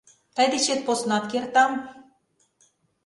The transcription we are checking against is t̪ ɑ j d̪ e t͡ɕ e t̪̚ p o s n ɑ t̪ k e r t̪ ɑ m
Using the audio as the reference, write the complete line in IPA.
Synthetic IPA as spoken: t̪ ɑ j d̪ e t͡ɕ e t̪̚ p o s n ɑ t̪ k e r t̪ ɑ m

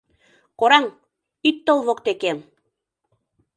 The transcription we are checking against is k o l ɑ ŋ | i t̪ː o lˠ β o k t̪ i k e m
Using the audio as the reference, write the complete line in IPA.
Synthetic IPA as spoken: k o ɾ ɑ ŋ | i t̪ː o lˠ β o k t̪ e k e m

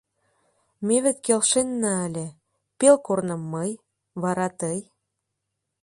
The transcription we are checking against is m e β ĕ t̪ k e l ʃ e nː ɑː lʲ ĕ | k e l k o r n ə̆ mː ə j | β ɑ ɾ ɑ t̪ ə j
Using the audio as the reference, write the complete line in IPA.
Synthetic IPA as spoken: m e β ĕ t̪ k e l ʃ e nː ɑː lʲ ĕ | p e l k o r n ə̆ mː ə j | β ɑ ɾ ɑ t̪ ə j

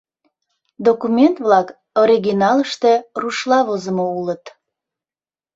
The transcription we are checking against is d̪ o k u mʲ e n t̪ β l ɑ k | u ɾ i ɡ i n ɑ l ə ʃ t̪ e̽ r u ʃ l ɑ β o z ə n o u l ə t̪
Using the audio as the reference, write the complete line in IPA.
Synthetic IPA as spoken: d̪ o k u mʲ e n t̪ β l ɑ k | o ɾ i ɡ i n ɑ l ə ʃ t̪ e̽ r u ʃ l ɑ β o z ə m o u l ə t̪

